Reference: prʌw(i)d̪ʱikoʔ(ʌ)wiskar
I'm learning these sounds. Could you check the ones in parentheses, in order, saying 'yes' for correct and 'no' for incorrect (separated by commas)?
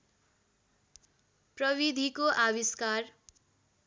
yes, no